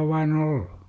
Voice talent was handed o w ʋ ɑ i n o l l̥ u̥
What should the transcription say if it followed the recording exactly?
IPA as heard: o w ʋ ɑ i n o l l̥ u̥